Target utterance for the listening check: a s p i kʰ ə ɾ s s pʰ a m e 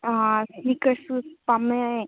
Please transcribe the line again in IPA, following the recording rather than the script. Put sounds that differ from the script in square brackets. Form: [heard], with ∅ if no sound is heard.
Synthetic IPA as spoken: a s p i [k] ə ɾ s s [p] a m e